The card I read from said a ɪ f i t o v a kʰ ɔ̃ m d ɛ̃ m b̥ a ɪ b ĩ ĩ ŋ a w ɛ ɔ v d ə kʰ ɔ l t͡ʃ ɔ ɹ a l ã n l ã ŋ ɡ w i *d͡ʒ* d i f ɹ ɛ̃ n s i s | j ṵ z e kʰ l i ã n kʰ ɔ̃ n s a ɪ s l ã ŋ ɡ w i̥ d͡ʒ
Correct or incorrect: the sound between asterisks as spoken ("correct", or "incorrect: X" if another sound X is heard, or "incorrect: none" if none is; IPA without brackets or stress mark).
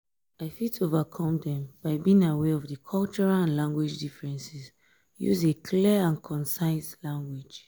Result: correct